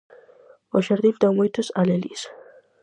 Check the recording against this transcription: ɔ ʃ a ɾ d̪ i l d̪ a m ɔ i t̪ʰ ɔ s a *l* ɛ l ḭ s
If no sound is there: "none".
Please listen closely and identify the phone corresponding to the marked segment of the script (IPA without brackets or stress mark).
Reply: l